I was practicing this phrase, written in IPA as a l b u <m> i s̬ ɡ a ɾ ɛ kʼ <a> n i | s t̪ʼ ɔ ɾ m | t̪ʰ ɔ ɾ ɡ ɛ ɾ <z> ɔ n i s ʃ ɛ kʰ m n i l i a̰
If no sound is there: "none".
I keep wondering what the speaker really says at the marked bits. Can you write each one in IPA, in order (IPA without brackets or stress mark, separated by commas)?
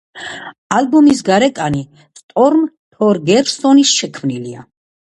m, a, s